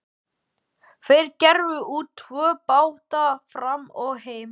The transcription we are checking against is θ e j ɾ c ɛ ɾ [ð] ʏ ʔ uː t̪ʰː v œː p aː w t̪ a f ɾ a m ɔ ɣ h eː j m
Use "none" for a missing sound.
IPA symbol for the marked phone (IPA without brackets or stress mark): v